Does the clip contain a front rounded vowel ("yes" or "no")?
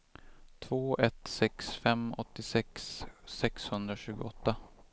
no